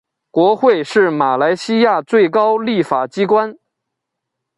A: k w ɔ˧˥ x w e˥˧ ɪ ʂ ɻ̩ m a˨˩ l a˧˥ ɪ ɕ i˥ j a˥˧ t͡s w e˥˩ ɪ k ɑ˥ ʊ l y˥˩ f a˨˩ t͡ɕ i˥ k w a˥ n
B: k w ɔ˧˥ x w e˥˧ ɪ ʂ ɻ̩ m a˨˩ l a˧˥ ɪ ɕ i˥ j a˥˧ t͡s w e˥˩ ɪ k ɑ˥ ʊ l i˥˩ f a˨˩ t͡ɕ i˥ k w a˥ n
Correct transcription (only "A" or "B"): B